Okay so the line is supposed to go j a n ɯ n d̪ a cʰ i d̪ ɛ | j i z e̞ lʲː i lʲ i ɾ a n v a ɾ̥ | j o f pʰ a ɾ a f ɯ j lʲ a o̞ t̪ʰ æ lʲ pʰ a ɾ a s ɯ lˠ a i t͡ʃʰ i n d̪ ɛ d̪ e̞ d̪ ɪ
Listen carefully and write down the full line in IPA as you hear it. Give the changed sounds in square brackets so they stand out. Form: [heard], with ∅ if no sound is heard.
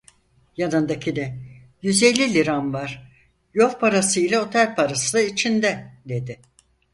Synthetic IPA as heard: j a n ɯ n d̪ a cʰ i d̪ ɛ | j [y] z e̞ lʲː i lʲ i ɾ a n v a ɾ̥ | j o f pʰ a ɾ a [s] ɯ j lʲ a o̞ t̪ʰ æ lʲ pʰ a ɾ a s ɯ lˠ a i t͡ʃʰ i n d̪ ɛ d̪ e̞ d̪ ɪ